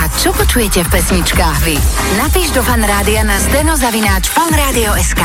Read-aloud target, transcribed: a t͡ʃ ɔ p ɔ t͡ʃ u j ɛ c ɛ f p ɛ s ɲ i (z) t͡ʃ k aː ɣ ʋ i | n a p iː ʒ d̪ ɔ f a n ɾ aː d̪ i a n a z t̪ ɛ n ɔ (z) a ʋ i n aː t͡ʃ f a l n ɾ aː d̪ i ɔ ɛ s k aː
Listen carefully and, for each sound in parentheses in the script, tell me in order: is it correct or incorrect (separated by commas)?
incorrect, correct